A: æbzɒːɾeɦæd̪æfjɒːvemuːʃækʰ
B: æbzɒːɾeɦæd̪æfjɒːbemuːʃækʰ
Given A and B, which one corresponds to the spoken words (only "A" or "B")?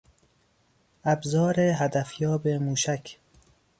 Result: B